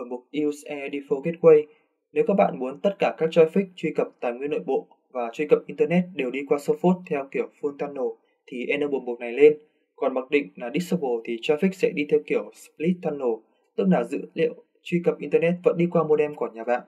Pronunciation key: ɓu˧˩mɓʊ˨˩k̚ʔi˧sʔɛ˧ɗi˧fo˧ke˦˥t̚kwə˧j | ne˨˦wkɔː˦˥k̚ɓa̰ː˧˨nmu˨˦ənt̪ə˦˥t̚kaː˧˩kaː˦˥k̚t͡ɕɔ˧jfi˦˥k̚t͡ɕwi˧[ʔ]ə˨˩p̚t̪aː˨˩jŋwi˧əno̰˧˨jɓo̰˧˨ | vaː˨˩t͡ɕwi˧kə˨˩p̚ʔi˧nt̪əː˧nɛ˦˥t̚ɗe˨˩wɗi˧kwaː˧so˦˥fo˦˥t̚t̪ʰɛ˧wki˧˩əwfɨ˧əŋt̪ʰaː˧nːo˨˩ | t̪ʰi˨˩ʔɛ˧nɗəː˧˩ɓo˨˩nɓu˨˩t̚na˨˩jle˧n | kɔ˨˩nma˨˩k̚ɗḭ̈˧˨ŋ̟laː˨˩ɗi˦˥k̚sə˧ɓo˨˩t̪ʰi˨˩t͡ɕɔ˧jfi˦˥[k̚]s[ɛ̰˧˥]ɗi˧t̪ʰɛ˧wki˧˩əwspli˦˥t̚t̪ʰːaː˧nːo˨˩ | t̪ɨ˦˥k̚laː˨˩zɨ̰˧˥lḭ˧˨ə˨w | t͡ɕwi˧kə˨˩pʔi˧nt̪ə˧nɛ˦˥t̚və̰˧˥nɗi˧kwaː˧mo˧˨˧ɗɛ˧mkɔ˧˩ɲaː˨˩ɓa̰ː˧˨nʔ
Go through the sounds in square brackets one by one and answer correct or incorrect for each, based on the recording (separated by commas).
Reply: incorrect, correct, correct